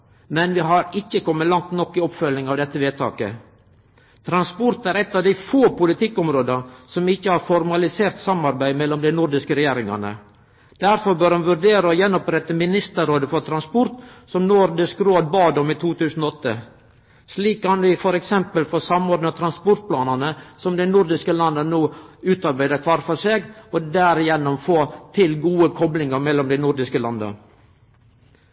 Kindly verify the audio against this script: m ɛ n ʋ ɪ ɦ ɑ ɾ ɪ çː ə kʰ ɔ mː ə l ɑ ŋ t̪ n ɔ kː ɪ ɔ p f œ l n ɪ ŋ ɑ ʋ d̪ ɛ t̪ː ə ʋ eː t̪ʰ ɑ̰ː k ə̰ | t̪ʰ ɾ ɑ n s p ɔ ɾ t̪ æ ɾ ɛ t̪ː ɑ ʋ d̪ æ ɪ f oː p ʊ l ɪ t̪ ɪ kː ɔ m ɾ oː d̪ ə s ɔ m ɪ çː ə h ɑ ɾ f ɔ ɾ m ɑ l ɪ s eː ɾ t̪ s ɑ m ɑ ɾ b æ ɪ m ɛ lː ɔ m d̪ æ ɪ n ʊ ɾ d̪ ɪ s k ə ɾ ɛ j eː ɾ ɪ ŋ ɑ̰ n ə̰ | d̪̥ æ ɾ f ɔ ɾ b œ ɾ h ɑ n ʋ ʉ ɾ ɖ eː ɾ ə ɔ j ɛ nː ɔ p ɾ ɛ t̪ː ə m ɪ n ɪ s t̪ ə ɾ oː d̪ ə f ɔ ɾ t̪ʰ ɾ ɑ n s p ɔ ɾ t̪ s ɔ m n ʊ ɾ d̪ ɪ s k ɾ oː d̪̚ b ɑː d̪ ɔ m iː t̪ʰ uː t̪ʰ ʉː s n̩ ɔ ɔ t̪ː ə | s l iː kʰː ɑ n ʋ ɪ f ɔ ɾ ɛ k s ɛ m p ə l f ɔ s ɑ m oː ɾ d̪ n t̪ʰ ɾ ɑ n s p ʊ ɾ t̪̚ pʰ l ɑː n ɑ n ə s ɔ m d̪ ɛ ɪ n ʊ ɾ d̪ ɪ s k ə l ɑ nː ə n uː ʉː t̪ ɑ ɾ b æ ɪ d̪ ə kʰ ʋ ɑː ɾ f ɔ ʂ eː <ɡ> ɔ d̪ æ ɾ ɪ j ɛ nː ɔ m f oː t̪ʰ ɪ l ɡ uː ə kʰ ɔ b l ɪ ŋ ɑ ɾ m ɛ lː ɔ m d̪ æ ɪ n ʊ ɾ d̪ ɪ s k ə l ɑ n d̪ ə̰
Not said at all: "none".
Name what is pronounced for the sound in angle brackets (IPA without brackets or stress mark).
ɡ